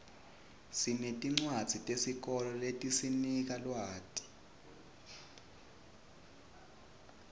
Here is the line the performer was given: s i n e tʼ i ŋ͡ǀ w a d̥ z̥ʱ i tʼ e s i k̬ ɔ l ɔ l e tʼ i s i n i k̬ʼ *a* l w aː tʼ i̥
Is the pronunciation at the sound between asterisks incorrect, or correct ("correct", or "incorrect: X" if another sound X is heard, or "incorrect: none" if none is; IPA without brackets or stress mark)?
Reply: correct